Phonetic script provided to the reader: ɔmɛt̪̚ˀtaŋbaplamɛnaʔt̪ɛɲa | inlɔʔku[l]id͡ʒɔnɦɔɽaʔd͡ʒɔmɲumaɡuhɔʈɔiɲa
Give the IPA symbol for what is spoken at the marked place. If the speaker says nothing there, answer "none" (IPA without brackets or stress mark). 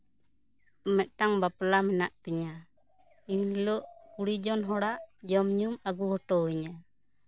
ɽ